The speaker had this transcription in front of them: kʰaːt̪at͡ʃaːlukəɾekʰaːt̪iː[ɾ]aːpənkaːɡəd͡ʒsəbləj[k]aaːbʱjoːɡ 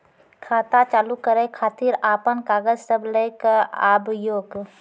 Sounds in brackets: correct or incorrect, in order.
correct, correct

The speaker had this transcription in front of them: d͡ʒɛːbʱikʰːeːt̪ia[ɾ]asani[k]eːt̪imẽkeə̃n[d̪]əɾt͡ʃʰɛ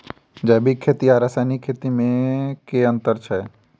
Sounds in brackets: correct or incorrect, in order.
correct, incorrect: kʰ, incorrect: t̪

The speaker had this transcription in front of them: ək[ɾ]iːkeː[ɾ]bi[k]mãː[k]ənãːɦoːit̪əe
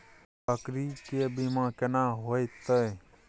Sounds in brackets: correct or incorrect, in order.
correct, incorrect: none, incorrect: none, correct

